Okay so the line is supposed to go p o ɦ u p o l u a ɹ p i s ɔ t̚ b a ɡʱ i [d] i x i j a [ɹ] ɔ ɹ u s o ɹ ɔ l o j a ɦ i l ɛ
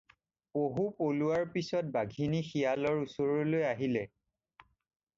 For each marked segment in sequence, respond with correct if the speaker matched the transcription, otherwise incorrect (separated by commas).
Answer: incorrect, incorrect